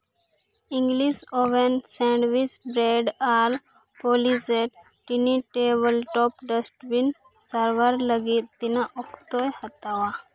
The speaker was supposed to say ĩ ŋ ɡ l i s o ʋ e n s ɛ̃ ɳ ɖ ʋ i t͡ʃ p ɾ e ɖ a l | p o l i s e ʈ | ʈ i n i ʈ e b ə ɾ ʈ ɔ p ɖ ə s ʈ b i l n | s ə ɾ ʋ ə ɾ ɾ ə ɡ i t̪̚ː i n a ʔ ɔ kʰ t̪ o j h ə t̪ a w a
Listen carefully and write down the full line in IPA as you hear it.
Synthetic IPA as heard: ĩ ŋ ɡ l i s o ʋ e n s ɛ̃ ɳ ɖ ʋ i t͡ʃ b ɾ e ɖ a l | p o l i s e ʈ | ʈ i n i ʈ e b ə l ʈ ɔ p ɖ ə s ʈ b i n | s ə ɾ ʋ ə ɾ l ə ɡ i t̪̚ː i n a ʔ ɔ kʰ t̪ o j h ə t̪ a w a